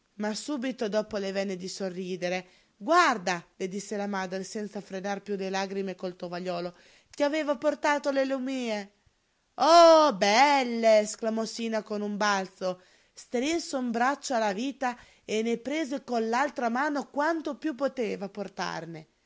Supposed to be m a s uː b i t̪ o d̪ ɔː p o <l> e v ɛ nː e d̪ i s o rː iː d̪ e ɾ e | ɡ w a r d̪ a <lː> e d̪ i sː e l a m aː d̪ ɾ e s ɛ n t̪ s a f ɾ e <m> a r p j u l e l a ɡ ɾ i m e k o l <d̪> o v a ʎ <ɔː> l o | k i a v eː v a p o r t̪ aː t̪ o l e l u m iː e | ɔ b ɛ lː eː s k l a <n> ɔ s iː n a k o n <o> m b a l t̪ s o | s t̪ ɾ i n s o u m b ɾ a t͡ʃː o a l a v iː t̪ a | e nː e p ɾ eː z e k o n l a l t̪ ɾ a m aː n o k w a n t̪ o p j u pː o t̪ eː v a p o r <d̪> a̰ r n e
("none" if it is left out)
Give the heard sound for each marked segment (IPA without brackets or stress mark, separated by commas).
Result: l, l, n, t̪, ɔː, m, u, t̪